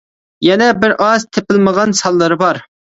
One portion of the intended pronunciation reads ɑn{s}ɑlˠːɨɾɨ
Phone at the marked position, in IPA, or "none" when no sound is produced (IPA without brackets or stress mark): s